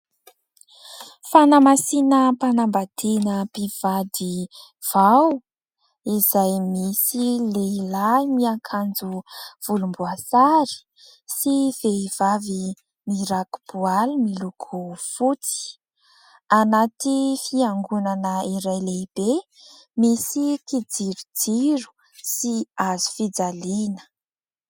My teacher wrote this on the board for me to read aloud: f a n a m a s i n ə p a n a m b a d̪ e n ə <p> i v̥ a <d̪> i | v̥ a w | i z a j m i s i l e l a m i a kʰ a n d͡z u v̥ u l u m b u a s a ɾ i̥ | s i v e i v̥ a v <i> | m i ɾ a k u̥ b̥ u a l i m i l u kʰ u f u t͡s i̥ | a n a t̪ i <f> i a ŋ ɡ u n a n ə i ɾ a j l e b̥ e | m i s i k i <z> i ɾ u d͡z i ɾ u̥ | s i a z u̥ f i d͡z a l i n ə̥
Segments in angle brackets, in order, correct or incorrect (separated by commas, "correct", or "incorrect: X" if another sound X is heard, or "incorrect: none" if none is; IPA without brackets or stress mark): correct, correct, correct, correct, incorrect: d͡z